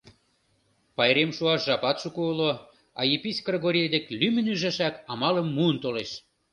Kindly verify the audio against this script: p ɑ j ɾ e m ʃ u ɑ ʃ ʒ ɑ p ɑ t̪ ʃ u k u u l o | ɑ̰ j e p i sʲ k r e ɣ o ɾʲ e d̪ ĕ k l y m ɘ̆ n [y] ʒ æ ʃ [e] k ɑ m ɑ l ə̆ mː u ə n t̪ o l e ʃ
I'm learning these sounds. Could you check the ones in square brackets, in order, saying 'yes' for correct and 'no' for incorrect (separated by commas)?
yes, no